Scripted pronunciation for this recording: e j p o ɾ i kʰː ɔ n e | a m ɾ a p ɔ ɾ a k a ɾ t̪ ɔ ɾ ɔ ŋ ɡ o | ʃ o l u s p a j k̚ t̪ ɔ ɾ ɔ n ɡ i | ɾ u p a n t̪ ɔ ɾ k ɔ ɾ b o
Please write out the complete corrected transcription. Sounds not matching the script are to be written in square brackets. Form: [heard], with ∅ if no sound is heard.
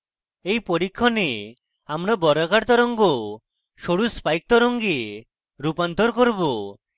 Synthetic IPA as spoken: e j p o ɾ i kʰː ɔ n e | a m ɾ a [b] ɔ ɾ a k a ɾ t̪ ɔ ɾ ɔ ŋ ɡ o | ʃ o [ɽ] u s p a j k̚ t̪ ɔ ɾ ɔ [ŋ] ɡ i | ɾ u p a n t̪ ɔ ɾ k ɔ ɾ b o

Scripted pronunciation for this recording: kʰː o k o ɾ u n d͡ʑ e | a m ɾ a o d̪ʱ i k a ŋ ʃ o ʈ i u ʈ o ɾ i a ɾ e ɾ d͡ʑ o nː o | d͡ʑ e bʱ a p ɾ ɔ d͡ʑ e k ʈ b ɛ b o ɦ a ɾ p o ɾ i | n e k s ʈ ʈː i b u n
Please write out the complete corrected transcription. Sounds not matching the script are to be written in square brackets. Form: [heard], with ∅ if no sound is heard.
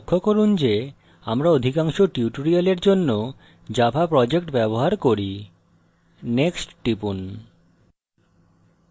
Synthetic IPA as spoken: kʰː o k o ɾ u n d͡ʑ e | a m ɾ a o d̪ʱ i k a ŋ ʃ o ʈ i u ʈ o ɾ i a [l] e ɾ d͡ʑ o nː o | d͡ʑ [a] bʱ a p ɾ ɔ d͡ʑ e k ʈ b ɛ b o ɦ a ɾ [k] o ɾ i | n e k s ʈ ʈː i [p] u n

